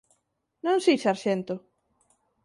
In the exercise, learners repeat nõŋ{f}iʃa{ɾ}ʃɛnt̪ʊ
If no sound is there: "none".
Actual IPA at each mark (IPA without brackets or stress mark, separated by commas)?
s, ɾ